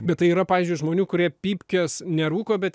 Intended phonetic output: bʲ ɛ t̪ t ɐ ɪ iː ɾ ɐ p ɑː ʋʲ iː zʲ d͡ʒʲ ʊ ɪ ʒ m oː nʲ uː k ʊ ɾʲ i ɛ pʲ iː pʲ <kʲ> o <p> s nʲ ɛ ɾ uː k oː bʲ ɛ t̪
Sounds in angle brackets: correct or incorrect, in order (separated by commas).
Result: correct, incorrect